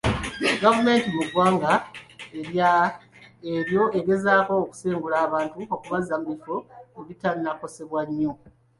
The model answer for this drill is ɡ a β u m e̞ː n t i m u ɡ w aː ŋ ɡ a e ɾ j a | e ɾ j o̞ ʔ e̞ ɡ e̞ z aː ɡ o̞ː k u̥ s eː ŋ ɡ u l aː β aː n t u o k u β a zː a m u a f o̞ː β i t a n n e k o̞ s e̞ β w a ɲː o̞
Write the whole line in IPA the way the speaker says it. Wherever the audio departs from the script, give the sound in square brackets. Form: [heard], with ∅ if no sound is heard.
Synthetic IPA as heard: ɡ a [v] u m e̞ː n t i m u ɡ w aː ŋ ɡ a e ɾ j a | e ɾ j o̞ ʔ e̞ ɡ e̞ z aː [k] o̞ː k u̥ s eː ŋ ɡ u l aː β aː n t u o k u β a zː a m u [i] f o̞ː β i t a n n [a] k o̞ s e̞ β w a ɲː o̞